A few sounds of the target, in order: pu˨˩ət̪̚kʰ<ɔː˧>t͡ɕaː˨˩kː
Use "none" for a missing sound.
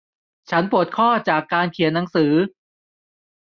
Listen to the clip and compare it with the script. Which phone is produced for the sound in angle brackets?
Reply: ɔː˥˩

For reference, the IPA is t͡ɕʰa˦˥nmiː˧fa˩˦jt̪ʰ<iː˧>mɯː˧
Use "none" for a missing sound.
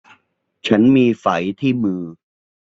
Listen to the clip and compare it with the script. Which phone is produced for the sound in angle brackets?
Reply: iː˥˩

